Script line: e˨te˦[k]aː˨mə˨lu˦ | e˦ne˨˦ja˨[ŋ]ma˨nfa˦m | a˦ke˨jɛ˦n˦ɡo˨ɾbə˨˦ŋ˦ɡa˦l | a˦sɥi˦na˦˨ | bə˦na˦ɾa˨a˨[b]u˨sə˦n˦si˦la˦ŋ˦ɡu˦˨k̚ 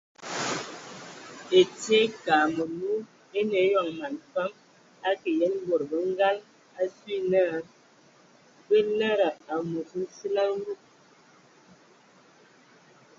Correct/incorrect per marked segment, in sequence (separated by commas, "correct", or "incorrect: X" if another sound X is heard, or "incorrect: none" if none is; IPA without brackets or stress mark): correct, correct, incorrect: m